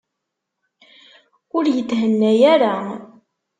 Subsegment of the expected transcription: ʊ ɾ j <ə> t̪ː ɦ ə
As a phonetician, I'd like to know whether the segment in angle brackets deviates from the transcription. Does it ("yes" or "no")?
no